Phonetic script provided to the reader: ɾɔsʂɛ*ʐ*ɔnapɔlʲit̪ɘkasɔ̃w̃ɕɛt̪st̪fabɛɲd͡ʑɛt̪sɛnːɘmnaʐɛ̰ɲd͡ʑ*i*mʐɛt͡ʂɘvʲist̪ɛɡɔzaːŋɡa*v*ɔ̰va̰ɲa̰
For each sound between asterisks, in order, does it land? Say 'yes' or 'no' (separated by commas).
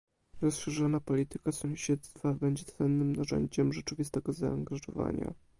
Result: yes, no, no